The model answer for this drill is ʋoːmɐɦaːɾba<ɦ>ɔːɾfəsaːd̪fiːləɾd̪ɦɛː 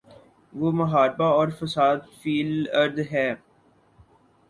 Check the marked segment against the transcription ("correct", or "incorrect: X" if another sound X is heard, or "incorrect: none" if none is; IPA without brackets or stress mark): incorrect: none